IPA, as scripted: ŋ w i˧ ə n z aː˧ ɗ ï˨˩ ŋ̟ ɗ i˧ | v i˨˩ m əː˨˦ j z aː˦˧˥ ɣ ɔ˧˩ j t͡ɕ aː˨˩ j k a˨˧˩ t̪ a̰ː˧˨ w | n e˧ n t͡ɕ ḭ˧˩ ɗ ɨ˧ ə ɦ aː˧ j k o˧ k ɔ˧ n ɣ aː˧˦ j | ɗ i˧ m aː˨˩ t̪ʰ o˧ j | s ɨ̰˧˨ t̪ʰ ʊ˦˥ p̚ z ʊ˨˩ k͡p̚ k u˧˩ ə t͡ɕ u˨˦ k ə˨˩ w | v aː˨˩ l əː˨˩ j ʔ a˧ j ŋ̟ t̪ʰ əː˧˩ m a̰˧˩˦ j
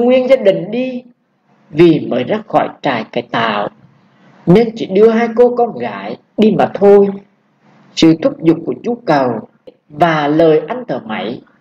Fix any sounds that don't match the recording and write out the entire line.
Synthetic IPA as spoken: ŋ w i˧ ə n z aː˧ ɗ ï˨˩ ŋ̟ ɗ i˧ | v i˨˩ m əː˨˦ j z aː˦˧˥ x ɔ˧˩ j t͡ɕ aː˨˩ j k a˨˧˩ t̪ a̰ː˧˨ w | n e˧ n t͡ɕ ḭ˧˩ ɗ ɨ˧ ə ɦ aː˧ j k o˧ k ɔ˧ n ɣ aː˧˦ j | ɗ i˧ m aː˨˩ t̪ʰ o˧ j | s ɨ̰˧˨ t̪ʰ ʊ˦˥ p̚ z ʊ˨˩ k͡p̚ k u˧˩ ə t͡ɕ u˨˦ k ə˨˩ w | v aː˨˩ l əː˨˩ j ʔ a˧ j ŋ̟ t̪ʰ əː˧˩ m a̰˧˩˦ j